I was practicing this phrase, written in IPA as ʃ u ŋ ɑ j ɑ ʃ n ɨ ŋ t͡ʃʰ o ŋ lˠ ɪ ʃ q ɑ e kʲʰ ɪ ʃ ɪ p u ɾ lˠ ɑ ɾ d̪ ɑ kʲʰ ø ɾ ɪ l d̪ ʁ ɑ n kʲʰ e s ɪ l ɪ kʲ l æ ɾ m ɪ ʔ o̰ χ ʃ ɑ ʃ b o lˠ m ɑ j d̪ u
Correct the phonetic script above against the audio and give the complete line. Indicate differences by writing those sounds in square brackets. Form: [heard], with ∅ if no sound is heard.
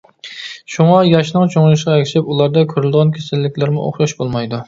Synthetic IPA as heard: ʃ u ŋ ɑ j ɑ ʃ n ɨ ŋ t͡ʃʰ o ŋ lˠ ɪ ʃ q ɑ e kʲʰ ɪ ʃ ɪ p u [∅] lˠ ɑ ɾ d̪ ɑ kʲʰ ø ɾ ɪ l d̪ ʁ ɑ n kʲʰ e s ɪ [lː] ɪ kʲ l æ ɾ m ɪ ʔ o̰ χ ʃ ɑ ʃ b o lˠ m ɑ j d̪ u